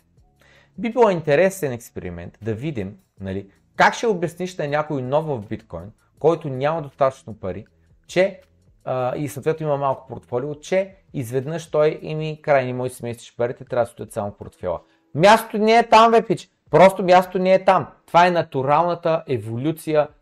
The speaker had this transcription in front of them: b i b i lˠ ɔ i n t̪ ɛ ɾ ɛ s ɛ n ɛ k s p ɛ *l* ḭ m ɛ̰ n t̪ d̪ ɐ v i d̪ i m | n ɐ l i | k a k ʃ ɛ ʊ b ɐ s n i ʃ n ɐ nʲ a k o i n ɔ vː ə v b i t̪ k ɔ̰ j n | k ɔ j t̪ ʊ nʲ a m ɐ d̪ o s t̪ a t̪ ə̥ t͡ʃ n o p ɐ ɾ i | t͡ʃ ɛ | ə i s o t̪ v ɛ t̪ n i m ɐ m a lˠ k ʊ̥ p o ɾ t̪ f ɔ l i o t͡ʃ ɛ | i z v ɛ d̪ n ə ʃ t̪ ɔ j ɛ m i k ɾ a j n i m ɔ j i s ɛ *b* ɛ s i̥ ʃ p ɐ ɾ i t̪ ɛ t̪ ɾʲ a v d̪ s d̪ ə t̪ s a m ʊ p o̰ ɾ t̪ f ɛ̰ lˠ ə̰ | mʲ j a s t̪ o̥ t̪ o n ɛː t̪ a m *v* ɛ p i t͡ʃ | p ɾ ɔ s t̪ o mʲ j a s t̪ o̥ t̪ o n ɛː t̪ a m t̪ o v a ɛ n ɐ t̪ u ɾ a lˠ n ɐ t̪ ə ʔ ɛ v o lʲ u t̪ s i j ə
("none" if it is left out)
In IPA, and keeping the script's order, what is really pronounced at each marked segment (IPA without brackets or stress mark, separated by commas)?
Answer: ɾ, m, v